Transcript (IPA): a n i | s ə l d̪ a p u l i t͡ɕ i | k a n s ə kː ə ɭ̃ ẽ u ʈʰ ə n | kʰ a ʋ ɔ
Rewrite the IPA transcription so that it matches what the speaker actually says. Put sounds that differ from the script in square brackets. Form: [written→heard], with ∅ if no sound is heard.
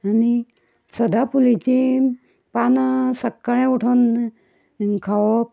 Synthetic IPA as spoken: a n i | s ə [l→∅] d̪ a p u l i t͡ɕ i | [k→p] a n s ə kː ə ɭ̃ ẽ u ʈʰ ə n | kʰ a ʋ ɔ